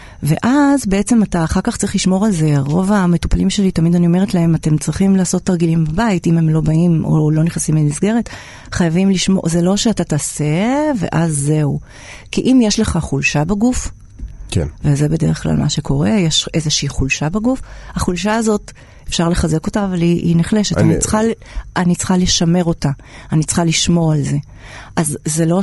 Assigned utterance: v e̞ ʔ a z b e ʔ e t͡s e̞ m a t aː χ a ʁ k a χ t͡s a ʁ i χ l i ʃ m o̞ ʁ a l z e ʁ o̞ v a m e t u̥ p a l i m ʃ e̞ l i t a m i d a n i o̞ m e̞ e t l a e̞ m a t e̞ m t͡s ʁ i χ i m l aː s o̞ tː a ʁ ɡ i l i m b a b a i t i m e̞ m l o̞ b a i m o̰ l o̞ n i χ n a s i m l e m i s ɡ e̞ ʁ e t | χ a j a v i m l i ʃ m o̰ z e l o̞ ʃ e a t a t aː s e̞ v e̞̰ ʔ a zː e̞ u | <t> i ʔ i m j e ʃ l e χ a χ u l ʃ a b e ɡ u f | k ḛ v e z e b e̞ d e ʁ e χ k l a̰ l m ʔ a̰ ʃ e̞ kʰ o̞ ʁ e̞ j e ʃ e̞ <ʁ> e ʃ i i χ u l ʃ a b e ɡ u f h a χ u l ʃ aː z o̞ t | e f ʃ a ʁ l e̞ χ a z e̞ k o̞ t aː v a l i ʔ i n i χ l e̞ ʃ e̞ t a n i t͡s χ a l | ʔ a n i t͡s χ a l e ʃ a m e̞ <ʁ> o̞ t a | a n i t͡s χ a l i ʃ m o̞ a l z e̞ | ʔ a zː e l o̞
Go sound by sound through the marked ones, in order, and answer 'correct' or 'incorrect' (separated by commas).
incorrect, incorrect, correct